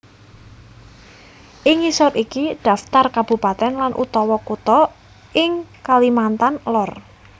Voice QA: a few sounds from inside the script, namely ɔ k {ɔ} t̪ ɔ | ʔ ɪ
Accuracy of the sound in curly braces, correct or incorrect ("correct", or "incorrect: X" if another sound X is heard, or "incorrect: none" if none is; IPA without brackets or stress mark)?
incorrect: u